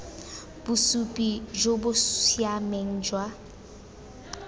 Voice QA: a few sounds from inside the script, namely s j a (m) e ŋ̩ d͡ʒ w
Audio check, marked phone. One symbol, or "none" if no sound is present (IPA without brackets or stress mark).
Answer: m